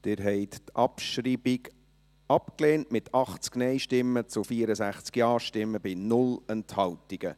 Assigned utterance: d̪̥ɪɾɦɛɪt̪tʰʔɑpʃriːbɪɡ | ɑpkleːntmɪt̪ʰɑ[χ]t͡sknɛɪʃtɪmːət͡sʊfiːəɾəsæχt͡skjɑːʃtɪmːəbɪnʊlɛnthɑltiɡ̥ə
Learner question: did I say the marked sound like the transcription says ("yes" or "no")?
yes